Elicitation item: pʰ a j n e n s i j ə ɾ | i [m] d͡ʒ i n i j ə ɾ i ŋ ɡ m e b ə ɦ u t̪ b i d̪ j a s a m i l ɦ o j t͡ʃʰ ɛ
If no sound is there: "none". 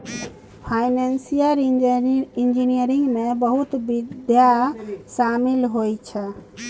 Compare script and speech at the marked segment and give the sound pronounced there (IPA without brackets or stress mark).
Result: n